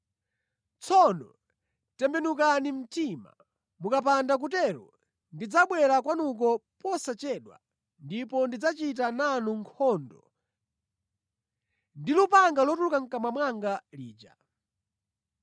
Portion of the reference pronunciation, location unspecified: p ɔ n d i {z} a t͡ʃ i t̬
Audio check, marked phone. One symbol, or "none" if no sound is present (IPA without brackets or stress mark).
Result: d͡z